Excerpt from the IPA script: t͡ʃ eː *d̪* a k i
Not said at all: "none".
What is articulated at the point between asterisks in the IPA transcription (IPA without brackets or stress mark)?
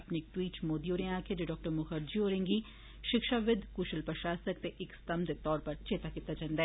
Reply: t̪